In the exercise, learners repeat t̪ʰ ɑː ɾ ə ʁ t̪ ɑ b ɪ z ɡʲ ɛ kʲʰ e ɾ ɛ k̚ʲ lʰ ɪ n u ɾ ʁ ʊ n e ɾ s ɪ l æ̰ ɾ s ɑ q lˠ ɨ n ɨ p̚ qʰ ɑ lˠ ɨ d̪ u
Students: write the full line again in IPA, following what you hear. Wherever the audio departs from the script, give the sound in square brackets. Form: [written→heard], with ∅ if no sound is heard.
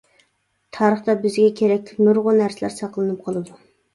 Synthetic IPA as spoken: t̪ʰ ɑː ɾ ə [ʁ→χ] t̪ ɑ b ɪ z ɡʲ ɛ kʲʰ e ɾ ɛ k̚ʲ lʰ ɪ n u ɾ ʁ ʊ n [e→æ] ɾ s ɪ l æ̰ ɾ s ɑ q lˠ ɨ n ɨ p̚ qʰ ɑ lˠ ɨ d̪ u